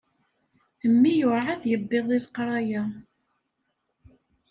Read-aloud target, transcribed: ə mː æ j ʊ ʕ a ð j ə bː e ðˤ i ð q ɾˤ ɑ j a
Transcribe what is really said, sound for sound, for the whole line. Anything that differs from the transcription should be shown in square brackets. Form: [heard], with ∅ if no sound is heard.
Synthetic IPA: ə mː [i] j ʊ ʕ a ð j ə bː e ðˤ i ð q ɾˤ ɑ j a